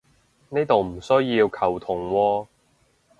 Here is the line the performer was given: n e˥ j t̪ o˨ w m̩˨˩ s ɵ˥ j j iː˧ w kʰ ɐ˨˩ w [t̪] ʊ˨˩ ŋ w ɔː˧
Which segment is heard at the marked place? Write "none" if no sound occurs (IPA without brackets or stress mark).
t̪ʰ